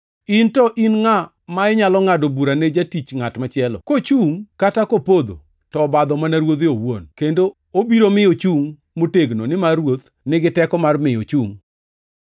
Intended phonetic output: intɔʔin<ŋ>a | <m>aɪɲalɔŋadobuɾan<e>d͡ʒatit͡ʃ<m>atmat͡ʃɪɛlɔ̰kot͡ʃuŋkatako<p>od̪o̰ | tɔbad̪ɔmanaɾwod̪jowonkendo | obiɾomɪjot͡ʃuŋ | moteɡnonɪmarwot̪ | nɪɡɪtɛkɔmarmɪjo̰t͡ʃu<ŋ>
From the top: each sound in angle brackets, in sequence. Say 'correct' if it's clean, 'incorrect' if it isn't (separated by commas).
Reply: correct, correct, correct, incorrect, correct, correct